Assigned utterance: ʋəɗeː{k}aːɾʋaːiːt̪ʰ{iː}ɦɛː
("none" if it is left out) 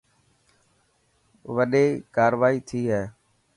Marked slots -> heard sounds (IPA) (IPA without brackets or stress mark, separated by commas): k, iː